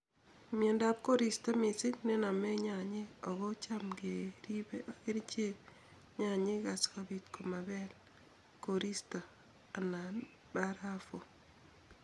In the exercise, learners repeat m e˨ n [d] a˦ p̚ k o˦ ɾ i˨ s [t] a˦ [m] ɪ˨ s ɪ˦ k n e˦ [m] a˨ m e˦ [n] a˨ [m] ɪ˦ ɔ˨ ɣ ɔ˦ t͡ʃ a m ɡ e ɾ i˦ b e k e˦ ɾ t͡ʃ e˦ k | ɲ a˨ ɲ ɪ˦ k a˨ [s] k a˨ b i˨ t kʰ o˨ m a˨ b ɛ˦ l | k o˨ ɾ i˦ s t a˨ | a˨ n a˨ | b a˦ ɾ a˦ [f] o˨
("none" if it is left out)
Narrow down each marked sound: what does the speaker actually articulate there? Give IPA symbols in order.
d, t, m, n, ɲ, ɲ, s, f

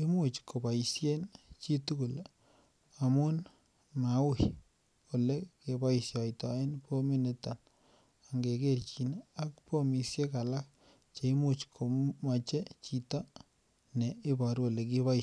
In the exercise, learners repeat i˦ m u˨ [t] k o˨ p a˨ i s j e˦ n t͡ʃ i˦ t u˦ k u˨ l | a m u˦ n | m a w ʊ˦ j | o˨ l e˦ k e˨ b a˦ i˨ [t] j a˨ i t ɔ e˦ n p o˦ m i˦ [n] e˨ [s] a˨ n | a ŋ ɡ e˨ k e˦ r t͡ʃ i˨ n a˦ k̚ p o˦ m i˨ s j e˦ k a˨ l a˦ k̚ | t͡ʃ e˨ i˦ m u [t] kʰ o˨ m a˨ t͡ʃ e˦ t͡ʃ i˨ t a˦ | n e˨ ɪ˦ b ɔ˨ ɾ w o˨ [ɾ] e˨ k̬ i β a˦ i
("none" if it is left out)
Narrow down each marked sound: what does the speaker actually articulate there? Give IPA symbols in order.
t͡ʃ, s, n, t, t͡ʃ, l

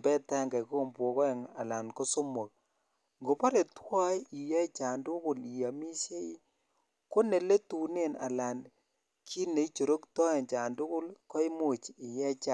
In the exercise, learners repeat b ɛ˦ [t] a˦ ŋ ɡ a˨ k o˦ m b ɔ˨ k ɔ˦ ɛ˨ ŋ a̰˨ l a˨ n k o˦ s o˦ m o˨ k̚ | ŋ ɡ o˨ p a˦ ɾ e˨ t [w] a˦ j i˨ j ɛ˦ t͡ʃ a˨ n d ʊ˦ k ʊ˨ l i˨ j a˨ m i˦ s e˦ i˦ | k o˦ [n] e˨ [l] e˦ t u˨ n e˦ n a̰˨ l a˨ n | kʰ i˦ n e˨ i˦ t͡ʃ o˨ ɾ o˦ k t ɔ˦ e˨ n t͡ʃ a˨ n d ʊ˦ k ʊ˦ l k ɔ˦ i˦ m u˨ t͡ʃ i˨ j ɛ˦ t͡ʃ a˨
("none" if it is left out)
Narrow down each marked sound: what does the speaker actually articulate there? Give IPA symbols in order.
t, w, n, l

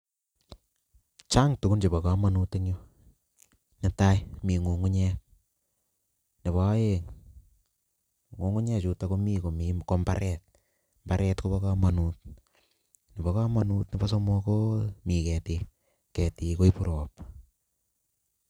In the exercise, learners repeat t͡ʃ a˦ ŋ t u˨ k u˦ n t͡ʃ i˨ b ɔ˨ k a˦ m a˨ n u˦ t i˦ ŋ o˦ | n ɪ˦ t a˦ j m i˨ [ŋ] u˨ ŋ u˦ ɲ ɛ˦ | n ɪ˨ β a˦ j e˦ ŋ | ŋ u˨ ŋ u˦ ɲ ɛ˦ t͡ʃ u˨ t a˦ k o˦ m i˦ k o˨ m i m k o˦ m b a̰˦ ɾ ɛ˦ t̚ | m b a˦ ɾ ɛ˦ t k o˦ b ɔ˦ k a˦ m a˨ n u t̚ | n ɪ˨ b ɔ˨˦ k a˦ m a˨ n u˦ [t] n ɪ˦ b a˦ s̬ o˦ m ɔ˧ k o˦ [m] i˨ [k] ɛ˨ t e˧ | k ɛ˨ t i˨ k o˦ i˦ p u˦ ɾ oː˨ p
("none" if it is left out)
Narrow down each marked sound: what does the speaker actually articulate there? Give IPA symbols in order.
ŋ, t, m, k

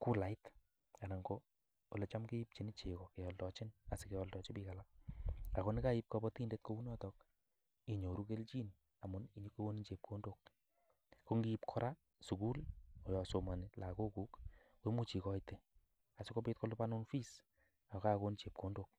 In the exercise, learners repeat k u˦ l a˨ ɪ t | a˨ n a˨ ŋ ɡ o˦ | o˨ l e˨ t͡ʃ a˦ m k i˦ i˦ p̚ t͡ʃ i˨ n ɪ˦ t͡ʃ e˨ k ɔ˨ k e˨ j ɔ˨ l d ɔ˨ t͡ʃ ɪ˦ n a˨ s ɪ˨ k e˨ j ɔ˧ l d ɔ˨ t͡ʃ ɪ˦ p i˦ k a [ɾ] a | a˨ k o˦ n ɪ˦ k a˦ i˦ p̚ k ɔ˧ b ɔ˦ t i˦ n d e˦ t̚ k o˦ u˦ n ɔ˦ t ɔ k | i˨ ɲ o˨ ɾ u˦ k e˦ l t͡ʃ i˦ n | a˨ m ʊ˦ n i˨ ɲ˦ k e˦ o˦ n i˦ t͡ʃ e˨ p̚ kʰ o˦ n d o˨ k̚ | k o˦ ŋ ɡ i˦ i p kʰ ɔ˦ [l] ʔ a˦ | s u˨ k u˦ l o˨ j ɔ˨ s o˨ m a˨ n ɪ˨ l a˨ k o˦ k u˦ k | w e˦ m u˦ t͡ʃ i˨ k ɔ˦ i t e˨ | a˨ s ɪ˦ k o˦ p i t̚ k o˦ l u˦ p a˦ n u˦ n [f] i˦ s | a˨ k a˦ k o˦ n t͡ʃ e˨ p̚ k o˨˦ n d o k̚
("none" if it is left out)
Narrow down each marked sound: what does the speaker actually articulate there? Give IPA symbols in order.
l, ɾ, f

